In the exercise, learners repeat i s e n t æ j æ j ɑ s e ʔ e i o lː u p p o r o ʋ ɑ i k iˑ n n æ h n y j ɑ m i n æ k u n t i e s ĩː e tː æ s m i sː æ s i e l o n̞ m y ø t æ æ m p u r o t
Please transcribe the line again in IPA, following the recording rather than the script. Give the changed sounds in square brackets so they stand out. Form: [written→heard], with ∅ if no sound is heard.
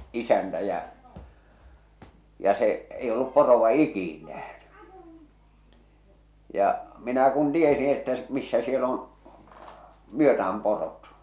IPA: i s [e→æ] n t æ j æ j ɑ s e ʔ e i o lː u p p o r o ʋ ɑ i k iˑ n n æ h n y j ɑ m i n æ k u n t i e s ĩː e tː æ s m i sː æ s i e l o n̞ m y ø t æ æ m p [u→o] r o t